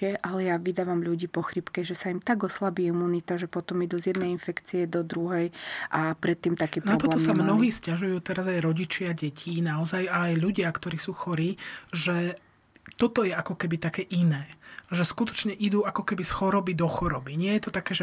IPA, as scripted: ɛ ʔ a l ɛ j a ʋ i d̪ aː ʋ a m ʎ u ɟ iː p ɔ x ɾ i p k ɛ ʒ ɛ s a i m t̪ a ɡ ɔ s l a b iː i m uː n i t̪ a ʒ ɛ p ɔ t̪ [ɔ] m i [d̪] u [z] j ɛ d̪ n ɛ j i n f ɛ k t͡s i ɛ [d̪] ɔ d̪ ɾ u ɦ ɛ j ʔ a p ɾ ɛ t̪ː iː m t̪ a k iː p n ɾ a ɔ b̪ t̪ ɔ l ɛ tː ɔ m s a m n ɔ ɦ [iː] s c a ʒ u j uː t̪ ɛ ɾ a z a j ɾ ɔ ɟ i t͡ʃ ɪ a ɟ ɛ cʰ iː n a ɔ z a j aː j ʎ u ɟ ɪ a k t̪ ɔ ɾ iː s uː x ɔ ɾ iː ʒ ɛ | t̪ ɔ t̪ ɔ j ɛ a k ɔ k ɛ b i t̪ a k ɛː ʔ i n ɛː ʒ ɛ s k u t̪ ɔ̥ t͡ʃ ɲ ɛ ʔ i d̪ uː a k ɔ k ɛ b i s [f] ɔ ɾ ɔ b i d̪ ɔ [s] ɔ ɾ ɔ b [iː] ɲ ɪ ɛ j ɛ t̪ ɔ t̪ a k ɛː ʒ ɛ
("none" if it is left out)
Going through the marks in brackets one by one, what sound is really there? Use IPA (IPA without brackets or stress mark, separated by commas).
ɔ, d̪, z, d̪, iː, x, x, i